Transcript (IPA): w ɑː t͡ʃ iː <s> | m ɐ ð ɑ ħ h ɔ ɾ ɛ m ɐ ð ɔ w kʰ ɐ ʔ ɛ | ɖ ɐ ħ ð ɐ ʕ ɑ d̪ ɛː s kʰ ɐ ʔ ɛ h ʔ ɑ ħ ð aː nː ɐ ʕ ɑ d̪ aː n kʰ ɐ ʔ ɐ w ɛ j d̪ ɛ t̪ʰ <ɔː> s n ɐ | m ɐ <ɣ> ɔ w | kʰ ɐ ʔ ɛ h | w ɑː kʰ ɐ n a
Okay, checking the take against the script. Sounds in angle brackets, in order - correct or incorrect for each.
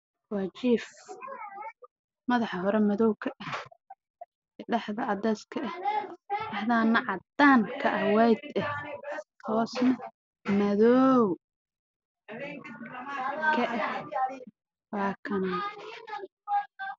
incorrect: f, correct, incorrect: ð

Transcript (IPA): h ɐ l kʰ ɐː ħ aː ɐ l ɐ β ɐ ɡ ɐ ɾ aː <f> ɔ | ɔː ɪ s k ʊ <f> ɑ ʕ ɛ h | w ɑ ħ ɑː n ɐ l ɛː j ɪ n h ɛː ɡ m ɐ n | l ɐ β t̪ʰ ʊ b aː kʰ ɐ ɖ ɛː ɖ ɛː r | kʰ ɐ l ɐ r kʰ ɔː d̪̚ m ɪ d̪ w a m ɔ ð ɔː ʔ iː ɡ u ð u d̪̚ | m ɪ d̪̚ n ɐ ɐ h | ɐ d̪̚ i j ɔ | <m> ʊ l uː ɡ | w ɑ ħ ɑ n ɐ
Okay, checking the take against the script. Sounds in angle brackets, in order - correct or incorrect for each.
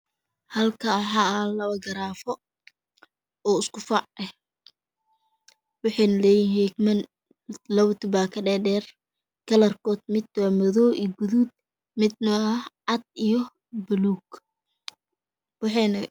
correct, correct, incorrect: b

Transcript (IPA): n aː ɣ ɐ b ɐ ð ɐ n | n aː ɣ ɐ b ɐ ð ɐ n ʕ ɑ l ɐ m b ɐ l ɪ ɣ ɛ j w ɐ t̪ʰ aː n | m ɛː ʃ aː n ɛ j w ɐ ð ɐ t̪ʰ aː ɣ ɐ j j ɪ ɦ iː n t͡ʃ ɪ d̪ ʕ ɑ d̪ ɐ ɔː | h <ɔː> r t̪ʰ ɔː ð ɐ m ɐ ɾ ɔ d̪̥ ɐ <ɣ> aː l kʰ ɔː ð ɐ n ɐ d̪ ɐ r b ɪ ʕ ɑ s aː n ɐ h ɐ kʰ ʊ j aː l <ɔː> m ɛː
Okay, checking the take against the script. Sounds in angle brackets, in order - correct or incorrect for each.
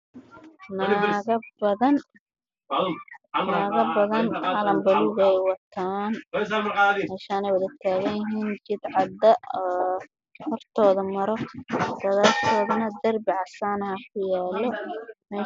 incorrect: ɔ, incorrect: ð, incorrect: ɔ

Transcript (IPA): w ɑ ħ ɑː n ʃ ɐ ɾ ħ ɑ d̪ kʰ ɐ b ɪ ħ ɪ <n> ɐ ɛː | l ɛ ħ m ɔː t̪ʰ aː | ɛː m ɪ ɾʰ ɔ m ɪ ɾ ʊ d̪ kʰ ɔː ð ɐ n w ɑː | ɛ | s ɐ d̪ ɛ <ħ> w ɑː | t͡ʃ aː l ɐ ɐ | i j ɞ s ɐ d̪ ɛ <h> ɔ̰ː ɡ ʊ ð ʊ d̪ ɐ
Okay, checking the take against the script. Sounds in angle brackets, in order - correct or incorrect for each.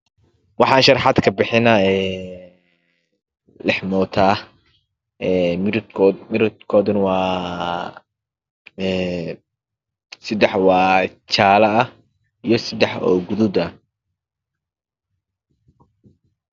correct, correct, incorrect: ħ

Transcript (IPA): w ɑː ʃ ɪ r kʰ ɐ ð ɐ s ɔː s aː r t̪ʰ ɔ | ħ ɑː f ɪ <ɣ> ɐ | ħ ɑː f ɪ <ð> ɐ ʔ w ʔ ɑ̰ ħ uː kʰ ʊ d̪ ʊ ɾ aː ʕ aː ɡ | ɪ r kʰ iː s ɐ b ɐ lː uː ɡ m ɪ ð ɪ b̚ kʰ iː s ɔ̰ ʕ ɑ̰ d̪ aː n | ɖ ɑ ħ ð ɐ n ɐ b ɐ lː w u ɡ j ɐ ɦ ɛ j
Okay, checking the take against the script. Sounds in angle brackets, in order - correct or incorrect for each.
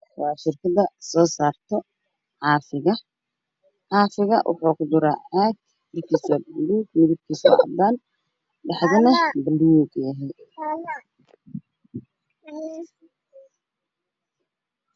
correct, incorrect: ɣ

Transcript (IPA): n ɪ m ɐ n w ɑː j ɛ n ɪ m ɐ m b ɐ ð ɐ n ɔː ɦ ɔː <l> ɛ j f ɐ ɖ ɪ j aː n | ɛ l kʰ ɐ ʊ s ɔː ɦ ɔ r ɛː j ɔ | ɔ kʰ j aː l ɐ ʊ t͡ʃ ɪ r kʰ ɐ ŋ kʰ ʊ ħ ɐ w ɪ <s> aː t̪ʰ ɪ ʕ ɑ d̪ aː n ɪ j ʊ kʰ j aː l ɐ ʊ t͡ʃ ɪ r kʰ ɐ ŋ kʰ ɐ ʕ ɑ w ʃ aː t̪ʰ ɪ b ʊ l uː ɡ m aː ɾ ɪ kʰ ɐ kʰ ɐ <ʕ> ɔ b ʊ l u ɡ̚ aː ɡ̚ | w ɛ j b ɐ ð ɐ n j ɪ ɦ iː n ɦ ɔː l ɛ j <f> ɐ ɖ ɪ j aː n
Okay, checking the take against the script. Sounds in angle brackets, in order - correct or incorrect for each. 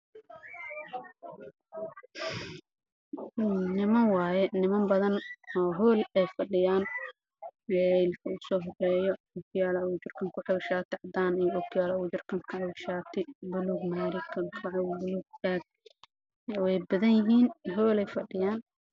correct, incorrect: ʃ, correct, correct

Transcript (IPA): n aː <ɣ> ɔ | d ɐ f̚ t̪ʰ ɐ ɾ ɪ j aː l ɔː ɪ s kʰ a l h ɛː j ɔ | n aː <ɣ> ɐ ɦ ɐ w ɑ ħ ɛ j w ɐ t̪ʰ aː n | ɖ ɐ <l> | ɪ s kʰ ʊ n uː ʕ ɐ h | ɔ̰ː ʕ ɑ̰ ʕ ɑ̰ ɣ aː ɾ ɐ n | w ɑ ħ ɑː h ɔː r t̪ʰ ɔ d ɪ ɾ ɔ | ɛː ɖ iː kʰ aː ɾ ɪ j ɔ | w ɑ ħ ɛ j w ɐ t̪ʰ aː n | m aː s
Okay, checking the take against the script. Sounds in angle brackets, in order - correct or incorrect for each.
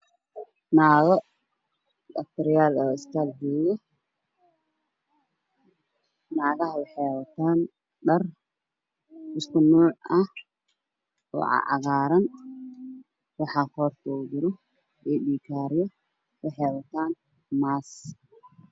correct, correct, incorrect: r

